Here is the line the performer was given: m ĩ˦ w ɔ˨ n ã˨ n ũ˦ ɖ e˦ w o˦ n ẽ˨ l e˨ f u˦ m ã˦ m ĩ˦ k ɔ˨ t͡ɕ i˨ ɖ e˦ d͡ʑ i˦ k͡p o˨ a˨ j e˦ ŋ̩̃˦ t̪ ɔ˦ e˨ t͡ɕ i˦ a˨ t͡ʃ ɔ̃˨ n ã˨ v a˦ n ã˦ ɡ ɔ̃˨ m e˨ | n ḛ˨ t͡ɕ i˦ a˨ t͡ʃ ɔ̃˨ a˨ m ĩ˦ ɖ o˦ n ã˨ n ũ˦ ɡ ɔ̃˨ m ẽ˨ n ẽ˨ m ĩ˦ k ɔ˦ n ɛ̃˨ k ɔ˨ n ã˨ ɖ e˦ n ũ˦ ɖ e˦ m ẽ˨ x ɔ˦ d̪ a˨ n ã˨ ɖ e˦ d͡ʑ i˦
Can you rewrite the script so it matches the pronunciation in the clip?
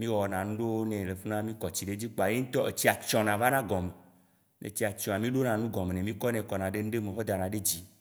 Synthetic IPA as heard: m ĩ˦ w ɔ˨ n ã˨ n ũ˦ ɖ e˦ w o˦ n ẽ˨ l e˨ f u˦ n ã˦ m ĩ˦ k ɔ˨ t͡ɕ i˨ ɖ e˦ d͡ʑ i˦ k͡p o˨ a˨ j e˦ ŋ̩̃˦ t̪ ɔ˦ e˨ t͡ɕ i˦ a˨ t͡ʃ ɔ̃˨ n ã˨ v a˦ n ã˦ ɡ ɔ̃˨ m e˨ | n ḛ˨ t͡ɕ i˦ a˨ t͡ʃ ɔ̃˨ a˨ m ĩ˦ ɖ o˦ n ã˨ n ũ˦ ɡ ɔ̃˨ m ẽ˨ n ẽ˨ m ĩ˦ k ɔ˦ n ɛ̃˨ k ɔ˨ n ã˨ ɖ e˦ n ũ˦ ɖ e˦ m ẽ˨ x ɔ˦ d̪ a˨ n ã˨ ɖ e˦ d͡ʑ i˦